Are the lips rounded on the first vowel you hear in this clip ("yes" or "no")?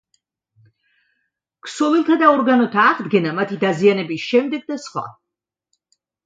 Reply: yes